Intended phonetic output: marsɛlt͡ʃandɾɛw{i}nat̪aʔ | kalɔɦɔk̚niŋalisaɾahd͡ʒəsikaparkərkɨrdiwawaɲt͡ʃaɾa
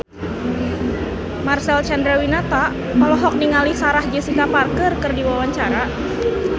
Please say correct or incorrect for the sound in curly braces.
correct